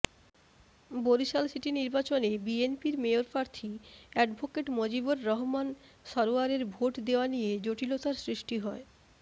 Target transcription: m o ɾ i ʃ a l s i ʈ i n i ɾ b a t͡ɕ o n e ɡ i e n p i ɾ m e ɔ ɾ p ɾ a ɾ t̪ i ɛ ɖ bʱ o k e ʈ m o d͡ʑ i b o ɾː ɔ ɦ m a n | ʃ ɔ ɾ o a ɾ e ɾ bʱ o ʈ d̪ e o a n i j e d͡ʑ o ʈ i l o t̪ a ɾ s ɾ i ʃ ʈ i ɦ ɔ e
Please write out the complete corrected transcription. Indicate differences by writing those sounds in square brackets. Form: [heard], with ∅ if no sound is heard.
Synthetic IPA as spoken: [b] o ɾ i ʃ a l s i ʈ i n i ɾ b a t͡ɕ o n e [b] i e n p i ɾ m e [o] ɾ p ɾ a ɾ [t̪ʰ] i ɛ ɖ bʱ o k e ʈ m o d͡ʑ i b o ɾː ɔ ɦ m a n | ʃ ɔ ɾ o a ɾ e ɾ bʱ o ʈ d̪ e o a n i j e d͡ʑ o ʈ i l o t̪ a ɾ s ɾ i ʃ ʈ i ɦ ɔ e